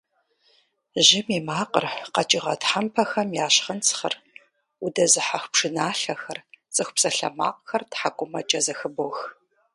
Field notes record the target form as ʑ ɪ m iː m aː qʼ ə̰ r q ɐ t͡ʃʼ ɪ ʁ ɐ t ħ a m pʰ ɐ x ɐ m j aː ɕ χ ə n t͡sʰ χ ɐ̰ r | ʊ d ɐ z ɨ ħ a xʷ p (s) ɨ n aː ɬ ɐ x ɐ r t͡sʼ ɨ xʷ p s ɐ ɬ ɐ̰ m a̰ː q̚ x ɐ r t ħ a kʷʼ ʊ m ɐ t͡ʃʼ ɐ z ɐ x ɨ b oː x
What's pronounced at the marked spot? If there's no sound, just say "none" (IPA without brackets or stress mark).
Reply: ʂ